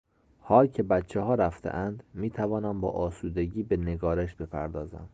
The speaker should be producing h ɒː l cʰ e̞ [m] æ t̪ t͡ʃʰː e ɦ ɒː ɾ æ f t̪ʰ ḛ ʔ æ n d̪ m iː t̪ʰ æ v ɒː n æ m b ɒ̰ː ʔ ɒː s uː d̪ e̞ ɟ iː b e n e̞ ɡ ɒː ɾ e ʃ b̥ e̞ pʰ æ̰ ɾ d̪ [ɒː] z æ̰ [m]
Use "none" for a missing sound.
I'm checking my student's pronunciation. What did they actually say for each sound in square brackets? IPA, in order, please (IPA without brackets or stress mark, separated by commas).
b, ɒː, m